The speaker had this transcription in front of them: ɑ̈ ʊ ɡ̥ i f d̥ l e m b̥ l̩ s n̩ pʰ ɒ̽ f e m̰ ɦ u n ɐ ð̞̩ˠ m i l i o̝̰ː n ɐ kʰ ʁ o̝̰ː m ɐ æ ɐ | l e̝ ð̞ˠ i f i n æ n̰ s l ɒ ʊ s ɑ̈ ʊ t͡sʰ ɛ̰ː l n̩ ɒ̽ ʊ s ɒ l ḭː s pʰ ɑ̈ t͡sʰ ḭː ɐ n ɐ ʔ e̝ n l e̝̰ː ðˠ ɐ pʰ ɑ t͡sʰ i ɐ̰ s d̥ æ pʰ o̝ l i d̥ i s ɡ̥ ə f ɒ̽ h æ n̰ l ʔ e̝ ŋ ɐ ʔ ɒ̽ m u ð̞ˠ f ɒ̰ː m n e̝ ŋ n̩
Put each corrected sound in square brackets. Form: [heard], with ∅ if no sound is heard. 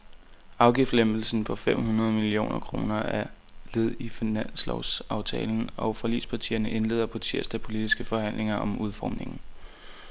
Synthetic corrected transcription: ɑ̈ ʊ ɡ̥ i f d̥ l e m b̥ l̩ s n̩ pʰ ɒ̽ f e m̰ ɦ u n ɐ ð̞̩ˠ m i l i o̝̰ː n ɐ kʰ ʁ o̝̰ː [n] ɐ æ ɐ | l e̝ ð̞ˠ i f i n æ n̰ s l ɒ ʊ s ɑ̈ ʊ t͡sʰ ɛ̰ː l n̩ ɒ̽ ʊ [f] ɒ l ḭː s pʰ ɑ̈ t͡sʰ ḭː ɐ n [ə] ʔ e̝ n l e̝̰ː ðˠ ɐ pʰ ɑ t͡sʰ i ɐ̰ s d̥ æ pʰ o̝ l i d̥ i s ɡ̥ ə f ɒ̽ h æ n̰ l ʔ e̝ ŋ ɐ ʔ ɒ̽ m u ð̞ˠ f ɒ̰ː m n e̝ ŋ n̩